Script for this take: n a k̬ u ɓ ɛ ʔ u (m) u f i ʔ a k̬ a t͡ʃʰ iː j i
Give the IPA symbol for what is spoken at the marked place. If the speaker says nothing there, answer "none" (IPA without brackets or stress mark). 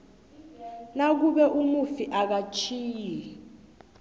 m